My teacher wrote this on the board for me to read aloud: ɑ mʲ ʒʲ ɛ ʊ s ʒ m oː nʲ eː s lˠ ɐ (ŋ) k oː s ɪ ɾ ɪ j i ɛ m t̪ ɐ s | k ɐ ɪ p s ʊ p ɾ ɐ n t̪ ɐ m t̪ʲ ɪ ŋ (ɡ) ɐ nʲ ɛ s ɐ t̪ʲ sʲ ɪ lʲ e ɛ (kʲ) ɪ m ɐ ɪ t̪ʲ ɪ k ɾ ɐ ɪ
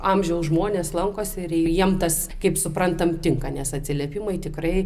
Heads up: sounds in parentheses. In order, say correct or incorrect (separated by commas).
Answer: correct, incorrect, incorrect